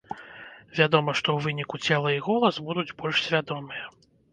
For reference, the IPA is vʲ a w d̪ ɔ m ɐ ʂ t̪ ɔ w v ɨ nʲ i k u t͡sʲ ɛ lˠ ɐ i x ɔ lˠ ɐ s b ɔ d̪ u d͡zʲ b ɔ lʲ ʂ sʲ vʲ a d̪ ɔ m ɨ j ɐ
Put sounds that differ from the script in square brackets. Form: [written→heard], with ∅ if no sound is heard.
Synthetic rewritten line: vʲ a [w→∅] d̪ ɔ m ɐ ʂ t̪ ɔ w v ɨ nʲ i k u t͡sʲ ɛ lˠ ɐ i [x→ɣ] ɔ lˠ ɐ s b [ɔ→u] d̪ u d͡zʲ b ɔ lʲ ʂ sʲ vʲ a d̪ ɔ m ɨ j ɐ